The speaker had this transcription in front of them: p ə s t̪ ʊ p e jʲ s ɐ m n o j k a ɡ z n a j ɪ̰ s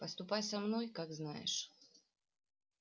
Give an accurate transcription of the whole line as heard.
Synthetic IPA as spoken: p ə s t̪ ʊ p a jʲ s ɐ m n o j k a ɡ z n a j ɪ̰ ʂ